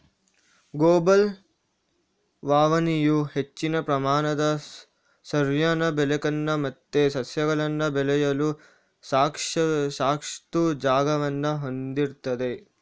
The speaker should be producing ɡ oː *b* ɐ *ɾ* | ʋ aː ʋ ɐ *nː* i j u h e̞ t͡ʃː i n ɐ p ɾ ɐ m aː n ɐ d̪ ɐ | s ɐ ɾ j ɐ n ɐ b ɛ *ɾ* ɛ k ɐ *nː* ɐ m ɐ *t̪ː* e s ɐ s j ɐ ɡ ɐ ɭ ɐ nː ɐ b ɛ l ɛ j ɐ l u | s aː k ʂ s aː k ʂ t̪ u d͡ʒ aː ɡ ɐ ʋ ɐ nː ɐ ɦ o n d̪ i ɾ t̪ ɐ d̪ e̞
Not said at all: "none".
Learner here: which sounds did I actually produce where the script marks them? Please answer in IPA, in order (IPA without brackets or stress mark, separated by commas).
b, l, n, l, nː, t̪ː